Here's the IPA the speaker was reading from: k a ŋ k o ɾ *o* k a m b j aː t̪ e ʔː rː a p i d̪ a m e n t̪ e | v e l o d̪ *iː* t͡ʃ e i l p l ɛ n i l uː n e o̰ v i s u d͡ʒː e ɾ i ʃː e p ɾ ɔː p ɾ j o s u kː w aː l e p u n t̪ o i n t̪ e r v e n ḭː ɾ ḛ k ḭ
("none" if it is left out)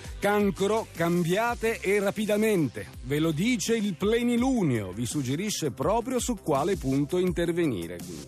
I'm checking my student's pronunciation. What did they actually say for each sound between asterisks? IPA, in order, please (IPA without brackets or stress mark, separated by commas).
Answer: o, iː